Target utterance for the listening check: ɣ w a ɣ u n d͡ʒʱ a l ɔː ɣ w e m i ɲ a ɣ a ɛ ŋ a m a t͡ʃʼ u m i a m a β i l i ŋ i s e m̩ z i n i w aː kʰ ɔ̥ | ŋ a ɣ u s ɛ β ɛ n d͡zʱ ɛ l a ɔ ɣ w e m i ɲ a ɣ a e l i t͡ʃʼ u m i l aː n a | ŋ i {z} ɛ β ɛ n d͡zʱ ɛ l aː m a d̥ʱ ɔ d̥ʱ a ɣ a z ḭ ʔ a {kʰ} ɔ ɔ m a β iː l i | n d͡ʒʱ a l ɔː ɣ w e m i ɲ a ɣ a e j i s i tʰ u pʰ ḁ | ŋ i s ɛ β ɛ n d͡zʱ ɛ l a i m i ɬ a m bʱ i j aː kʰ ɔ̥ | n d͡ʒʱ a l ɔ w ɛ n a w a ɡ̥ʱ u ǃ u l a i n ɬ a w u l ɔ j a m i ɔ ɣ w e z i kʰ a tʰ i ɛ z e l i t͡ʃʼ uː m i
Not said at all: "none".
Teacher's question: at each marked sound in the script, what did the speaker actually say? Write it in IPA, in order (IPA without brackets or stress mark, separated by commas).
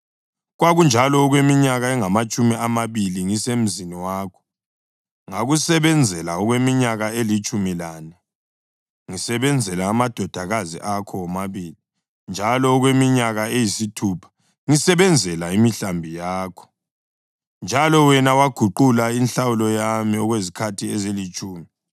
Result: s, kʰ